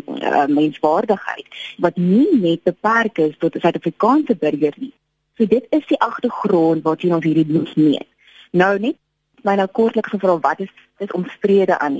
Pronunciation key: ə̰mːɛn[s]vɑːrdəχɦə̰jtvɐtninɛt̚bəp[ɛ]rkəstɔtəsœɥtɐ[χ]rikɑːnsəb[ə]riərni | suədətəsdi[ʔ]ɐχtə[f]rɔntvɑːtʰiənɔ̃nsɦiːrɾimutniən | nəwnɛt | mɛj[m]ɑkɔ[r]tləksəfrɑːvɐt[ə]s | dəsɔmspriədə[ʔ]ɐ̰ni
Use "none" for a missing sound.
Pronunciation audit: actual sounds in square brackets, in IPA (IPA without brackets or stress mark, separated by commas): s, æ, f, ə, ʔ, χ, n, r, ə, ʔ